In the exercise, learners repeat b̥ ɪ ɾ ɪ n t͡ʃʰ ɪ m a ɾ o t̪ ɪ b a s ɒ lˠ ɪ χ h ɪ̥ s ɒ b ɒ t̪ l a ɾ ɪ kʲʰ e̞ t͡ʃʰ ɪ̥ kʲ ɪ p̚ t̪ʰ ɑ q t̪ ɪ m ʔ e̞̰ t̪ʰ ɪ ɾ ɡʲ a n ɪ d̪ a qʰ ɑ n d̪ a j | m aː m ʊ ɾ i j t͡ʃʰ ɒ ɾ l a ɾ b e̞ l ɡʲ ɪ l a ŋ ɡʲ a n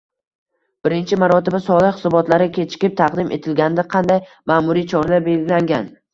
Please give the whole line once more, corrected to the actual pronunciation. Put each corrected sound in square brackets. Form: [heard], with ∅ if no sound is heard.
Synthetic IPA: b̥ ɪ ɾ ɪ n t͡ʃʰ ɪ m a ɾ [ɒ] t̪ ɪ b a s ɒ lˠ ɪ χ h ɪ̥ s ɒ b ɒ t̪ l a ɾ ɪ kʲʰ e̞ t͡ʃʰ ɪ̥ kʲ ɪ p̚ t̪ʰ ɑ q [d̪] ɪ m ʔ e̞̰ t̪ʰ ɪ [l] ɡʲ a n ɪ d̪ a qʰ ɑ n d̪ a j | m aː m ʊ ɾ i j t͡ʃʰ ɒ ɾ l a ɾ b e̞ l ɡʲ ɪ l a ŋ ɡʲ a n

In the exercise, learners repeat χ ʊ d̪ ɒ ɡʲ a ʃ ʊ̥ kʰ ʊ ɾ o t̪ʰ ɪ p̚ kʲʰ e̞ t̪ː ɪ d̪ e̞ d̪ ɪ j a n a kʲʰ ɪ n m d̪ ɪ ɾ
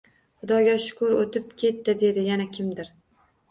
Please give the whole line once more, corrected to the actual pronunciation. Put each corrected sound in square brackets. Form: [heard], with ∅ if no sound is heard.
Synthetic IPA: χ ʊ d̪ ɒ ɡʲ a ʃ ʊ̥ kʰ ʊ ɾ o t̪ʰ ɪ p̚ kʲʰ e̞ t̪ː ɪ d̪ e̞ d̪ ɪ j a n a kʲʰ ɪ [∅] m d̪ ɪ ɾ

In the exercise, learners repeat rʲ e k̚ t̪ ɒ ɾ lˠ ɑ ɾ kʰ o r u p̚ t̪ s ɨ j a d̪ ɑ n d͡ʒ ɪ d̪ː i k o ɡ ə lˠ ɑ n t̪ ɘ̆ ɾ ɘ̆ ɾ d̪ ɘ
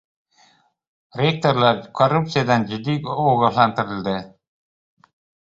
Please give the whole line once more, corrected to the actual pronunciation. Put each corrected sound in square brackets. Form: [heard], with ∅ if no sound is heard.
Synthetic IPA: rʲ e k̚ t̪ [o] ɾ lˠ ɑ ɾ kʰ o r u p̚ t̪ s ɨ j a d̪ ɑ n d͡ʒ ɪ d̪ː i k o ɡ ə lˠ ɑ n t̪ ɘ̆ ɾ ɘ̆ [l] d̪ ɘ

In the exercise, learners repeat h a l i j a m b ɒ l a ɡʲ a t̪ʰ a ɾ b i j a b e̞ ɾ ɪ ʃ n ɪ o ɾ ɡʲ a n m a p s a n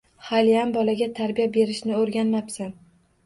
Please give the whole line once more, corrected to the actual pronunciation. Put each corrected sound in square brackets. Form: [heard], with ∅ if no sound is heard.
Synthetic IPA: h a l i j a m b ɒ l a ɡʲ a t̪ʰ a ɾ b i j a b e̞ ɾ ɪ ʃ n ɪ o ɾ ɡʲ a n m a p s a n

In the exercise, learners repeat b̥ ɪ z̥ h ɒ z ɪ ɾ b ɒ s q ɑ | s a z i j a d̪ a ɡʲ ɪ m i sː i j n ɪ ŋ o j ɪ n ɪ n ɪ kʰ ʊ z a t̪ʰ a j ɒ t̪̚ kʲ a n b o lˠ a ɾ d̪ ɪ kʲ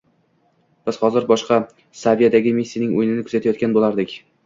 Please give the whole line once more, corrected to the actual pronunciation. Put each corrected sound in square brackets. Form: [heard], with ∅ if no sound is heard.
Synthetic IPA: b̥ ɪ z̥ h ɒ z ɪ ɾ b ɒ [ʃ] q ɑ | s a [v] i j a d̪ a ɡʲ ɪ m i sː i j n ɪ ŋ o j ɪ n ɪ n ɪ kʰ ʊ z a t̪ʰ a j ɒ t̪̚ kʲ a n b o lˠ a ɾ d̪ ɪ kʲ

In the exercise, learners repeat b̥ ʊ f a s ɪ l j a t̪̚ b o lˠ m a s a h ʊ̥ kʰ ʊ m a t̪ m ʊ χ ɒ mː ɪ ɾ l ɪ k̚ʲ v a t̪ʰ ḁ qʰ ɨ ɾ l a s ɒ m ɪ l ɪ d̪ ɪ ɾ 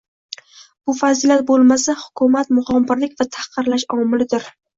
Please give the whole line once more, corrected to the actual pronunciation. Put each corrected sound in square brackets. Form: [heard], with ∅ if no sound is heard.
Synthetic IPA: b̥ ʊ f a [z] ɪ l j a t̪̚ b o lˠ m a s a h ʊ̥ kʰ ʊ m a t̪ m ʊ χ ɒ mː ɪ ɾ l ɪ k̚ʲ v a t̪ʰ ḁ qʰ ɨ ɾ l a [ʃ] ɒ m ɪ l ɪ d̪ ɪ ɾ

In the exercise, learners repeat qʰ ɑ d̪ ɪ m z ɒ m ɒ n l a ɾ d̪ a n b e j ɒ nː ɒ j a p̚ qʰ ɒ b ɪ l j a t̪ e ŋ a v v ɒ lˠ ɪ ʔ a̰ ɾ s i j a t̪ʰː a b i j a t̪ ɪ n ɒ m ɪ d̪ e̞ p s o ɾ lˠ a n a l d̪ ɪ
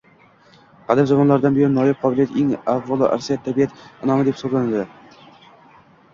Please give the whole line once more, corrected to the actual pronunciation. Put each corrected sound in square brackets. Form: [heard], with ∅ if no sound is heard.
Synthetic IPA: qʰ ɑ d̪ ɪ m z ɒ m ɒ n l a ɾ d̪ a n b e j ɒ nː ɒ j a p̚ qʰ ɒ b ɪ l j a t̪ e ŋ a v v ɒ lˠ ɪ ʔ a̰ ɾ s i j a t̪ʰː a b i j a t̪ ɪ n ɒ m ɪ d̪ e̞ p s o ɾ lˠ a n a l d̪ ɪ

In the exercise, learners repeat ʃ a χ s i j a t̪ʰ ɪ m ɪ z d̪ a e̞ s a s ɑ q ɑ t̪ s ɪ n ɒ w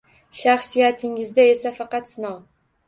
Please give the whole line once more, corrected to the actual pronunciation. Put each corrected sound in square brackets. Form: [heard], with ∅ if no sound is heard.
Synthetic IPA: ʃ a χ s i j a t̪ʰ ɪ [ŋ] ɪ z d̪ a e̞ s a [f] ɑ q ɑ t̪ s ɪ n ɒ w

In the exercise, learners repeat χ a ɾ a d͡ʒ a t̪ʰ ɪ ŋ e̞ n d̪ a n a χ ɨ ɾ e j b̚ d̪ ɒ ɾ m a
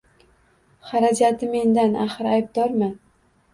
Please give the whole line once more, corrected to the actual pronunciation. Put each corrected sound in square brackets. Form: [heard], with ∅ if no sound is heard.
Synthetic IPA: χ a ɾ a d͡ʒ a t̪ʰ ɪ [m] e̞ n d̪ a n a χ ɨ ɾ [a] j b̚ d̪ ɒ ɾ m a

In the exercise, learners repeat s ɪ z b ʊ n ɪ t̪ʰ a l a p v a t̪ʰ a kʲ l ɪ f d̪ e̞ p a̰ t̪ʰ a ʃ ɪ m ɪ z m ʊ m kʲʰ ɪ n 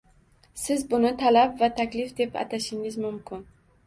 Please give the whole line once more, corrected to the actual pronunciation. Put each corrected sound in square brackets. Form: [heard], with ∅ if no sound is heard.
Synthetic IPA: s ɪ z b ʊ n ɪ t̪ʰ a l a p v a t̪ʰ a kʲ l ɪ f d̪ e̞ p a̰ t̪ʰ a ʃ ɪ [ŋ] ɪ z m ʊ m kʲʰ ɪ n

